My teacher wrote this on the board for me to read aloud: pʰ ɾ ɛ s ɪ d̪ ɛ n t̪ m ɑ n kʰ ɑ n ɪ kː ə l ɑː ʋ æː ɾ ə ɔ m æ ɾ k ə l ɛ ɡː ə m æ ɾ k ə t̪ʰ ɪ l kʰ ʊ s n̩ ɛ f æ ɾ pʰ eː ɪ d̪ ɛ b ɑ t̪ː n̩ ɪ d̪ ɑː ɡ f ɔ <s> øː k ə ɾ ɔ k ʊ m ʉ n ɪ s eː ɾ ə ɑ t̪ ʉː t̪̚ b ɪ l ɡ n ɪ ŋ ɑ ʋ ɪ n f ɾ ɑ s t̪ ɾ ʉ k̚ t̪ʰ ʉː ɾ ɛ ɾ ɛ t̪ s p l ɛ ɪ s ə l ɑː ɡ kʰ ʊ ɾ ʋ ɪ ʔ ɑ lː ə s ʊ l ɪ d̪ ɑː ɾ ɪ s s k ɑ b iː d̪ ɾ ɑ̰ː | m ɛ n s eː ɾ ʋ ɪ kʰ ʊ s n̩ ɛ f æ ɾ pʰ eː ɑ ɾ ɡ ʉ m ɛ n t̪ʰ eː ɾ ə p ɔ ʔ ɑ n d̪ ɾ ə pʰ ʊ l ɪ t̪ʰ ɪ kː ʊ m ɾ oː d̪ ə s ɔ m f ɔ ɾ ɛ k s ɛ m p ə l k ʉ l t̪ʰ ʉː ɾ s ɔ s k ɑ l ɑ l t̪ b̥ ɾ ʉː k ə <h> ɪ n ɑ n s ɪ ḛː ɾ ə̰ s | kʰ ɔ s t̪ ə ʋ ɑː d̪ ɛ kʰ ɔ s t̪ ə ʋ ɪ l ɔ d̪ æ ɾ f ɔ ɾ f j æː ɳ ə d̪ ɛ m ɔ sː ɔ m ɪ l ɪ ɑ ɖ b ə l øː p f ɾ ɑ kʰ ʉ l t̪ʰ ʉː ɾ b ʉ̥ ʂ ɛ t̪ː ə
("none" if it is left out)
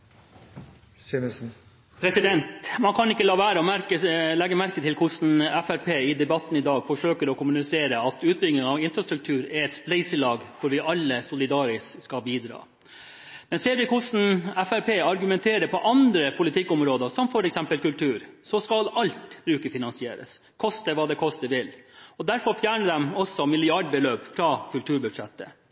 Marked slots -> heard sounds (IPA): ʂ, f

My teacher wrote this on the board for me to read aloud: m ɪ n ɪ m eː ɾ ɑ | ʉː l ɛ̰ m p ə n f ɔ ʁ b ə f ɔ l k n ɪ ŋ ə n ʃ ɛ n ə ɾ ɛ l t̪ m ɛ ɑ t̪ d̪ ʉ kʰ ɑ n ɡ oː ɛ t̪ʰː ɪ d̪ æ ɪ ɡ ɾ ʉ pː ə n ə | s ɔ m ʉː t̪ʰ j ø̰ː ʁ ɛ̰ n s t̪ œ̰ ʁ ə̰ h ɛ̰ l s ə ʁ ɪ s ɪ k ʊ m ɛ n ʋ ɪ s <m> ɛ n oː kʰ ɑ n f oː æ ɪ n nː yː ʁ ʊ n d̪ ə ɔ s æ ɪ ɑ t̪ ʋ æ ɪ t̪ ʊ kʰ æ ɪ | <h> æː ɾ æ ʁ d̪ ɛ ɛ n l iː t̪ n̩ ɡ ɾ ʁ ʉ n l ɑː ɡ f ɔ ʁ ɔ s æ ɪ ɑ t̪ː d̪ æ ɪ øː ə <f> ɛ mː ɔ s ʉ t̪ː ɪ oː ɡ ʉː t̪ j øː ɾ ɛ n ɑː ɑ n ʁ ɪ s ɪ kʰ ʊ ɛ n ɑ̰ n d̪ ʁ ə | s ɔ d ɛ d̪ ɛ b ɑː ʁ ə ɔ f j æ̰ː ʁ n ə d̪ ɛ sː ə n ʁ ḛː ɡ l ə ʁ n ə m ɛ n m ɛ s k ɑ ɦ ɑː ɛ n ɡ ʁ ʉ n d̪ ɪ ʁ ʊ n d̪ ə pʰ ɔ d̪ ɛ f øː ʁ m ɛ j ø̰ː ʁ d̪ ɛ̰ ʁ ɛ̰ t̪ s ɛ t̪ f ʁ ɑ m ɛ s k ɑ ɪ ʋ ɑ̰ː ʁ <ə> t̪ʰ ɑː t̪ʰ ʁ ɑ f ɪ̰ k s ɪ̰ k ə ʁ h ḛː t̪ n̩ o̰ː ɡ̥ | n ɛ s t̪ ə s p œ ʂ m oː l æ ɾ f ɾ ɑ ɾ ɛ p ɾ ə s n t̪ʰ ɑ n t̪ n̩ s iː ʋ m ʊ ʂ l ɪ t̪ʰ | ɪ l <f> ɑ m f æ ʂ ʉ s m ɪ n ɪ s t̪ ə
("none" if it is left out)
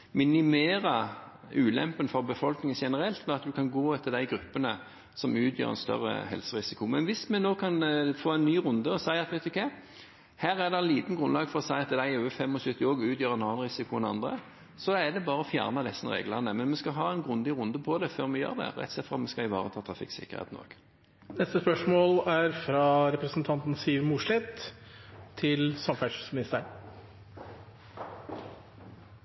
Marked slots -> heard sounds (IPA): m, h, f, ə, s

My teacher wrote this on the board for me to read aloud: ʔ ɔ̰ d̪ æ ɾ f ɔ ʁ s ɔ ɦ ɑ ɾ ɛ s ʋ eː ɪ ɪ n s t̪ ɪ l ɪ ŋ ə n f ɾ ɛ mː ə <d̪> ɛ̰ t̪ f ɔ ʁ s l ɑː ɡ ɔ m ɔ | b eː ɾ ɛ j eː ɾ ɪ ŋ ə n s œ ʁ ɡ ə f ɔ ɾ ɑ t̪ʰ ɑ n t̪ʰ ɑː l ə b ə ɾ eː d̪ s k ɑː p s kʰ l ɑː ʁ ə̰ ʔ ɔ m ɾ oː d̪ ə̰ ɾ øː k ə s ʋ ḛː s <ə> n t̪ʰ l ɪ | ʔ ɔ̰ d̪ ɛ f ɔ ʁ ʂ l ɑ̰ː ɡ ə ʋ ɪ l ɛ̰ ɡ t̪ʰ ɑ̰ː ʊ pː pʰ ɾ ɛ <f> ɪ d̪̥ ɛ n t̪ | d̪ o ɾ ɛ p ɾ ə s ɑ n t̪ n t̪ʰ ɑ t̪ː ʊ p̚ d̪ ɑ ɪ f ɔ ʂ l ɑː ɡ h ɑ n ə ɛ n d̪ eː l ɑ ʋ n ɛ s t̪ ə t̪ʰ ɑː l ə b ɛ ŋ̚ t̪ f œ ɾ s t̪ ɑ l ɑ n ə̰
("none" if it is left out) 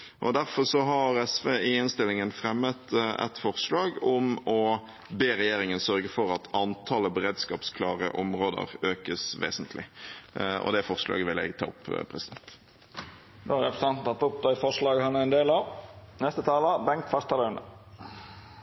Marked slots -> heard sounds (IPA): t̪, ə, s

